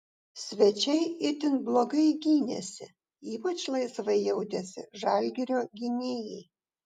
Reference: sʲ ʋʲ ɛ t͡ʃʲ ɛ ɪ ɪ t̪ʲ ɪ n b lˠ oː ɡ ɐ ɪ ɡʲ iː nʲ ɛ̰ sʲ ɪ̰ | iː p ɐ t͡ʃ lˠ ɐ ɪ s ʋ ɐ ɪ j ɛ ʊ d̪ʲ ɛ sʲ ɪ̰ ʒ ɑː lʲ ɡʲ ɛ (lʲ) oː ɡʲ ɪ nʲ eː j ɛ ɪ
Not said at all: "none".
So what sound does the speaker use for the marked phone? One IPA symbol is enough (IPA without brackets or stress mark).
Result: ɾʲ